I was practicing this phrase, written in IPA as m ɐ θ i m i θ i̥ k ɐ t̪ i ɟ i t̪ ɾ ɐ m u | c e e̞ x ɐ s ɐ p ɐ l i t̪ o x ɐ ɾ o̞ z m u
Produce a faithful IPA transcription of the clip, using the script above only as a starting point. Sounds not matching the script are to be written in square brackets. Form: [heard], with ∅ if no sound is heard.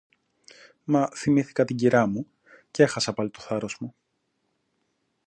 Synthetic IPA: m ɐ θ i m i θ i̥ k ɐ t̪ i ɟ i [∅] ɾ ɐ m u | c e e̞ x ɐ s ɐ p ɐ l i t̪ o [θ] ɐ ɾ o̞ z m u